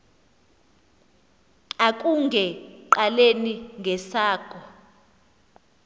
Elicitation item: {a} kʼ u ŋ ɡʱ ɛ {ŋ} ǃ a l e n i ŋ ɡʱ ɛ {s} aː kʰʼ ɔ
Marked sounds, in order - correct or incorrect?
correct, incorrect: none, correct

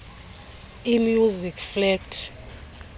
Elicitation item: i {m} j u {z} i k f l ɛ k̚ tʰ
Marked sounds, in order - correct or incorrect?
correct, correct

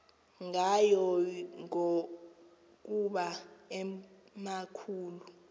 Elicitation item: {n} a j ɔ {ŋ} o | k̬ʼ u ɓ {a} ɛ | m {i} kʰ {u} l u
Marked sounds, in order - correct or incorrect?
incorrect: ŋ, correct, correct, incorrect: a, incorrect: uː

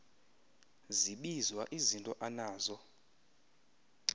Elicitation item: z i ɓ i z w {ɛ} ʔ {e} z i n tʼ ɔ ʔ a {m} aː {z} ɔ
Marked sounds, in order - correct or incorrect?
incorrect: a, incorrect: i, incorrect: n, correct

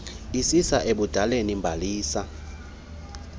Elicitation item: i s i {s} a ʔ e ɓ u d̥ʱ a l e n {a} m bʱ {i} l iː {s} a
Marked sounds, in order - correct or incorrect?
correct, incorrect: i, incorrect: a, correct

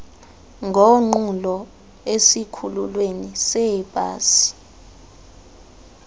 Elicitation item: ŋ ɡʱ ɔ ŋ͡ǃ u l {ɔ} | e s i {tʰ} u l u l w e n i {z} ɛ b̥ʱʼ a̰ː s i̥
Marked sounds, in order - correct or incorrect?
correct, incorrect: kʰ, incorrect: s

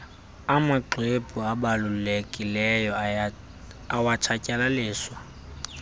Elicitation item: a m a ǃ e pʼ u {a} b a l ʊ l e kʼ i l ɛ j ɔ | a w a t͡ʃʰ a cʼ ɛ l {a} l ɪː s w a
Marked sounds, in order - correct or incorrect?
correct, correct

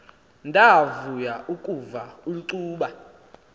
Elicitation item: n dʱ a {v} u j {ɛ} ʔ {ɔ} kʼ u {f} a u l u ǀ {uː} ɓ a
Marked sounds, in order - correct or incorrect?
correct, incorrect: a, incorrect: u, incorrect: v, correct

